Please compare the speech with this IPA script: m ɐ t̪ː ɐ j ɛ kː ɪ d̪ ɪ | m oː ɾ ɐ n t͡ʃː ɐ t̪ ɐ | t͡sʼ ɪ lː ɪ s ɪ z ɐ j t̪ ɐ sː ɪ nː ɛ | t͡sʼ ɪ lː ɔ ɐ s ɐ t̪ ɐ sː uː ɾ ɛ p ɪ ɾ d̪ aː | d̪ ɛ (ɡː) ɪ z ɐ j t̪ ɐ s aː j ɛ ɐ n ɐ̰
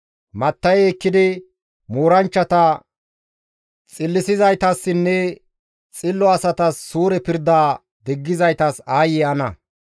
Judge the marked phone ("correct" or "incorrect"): correct